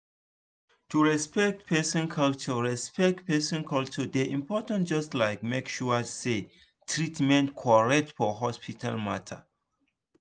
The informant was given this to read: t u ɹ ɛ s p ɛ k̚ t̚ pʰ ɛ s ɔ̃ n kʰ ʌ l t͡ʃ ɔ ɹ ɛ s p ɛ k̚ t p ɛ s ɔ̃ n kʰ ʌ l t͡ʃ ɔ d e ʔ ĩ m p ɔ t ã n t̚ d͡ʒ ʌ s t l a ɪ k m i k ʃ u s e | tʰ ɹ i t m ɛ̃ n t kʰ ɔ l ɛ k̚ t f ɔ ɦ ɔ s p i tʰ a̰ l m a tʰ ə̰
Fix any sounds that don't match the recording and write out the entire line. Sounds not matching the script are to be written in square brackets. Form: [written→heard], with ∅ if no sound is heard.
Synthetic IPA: t u ɹ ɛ s p ɛ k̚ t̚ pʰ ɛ s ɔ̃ n kʰ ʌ l t͡ʃ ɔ ɹ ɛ s p ɛ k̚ t p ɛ s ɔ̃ n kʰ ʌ l t͡ʃ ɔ d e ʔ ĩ m p ɔ t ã n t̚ d͡ʒ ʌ s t l a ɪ k m [i→e] k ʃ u s e | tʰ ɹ i t m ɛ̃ n t kʰ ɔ [l→ɹ] ɛ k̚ t f ɔ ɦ ɔ s p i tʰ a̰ l m a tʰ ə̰